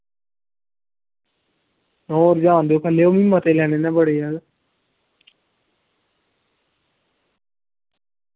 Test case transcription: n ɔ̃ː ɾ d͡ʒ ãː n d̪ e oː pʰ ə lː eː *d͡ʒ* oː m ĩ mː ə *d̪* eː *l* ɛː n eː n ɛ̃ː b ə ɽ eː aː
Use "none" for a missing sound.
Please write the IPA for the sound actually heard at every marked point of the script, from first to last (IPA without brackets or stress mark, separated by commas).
none, t̪, l